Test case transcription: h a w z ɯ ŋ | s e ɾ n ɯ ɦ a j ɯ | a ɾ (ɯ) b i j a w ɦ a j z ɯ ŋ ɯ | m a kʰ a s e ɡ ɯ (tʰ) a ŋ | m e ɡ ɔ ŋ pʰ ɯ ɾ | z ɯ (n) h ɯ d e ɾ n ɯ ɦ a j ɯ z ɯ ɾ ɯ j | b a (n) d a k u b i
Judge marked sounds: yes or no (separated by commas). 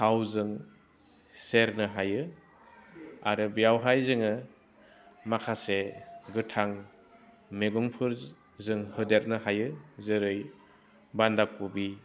yes, yes, no, yes